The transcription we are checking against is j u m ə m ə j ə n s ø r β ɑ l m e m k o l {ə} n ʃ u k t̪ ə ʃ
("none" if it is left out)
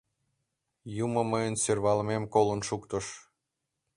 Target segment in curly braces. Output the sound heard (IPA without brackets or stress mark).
ə